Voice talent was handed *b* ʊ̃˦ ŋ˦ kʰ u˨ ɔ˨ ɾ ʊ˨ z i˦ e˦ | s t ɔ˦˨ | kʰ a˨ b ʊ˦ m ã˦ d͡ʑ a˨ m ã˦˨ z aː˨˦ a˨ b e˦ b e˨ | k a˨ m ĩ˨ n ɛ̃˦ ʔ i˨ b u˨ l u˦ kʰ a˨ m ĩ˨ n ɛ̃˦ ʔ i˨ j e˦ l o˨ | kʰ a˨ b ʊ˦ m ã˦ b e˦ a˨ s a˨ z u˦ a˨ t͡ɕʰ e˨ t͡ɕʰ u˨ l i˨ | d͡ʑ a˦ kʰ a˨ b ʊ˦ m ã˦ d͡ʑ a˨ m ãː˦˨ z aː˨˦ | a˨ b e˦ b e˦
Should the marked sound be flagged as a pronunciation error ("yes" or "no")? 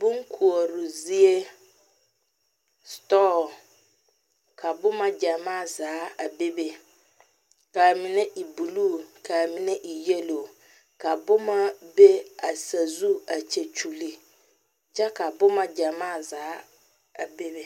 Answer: no